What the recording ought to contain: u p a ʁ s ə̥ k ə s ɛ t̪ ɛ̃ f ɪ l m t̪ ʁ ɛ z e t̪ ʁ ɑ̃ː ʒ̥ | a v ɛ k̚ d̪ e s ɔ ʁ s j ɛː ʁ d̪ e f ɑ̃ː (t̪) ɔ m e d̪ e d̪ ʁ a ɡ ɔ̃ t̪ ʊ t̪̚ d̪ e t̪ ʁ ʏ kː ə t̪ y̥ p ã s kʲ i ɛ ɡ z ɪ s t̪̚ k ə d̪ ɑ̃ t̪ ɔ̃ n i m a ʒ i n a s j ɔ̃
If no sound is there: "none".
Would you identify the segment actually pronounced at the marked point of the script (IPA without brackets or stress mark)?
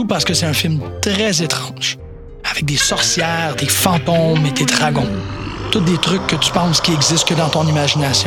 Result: t̪